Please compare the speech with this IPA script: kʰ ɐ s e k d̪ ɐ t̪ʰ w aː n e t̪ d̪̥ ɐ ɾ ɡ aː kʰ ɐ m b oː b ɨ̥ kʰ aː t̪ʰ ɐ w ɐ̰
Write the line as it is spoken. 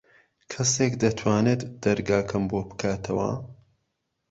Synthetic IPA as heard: kʰ ɐ s e k d̪ ɐ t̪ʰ w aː n e t̪ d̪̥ ɐ ɾ ɡ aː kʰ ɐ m b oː b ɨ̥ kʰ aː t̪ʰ ɐ w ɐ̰